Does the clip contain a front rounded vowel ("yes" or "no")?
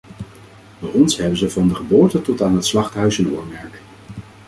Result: yes